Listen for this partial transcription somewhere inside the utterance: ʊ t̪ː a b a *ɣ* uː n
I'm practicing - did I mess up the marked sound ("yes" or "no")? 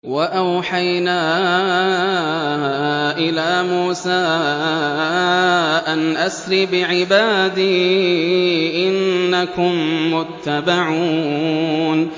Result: yes